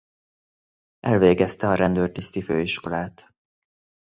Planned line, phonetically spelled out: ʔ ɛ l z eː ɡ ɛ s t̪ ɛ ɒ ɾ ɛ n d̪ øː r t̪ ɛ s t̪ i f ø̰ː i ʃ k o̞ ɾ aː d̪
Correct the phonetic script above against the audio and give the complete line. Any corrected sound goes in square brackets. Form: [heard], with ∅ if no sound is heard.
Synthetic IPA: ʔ ɛ l [v] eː ɡ ɛ s t̪ ɛ ɒ ɾ ɛ n d̪ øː r t̪ [i] s t̪ i f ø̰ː i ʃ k o̞ [l] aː [t̪]